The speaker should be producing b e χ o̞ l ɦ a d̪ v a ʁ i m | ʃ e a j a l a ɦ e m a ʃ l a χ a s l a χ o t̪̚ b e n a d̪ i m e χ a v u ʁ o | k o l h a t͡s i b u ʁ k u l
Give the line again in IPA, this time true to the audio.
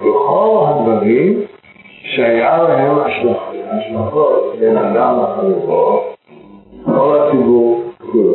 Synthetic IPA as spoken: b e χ o̞ l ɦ a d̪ v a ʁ i m | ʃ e a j a l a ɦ e m a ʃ l a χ a ʃ l a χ o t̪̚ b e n a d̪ a m a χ a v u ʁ o | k o l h a t͡s i b u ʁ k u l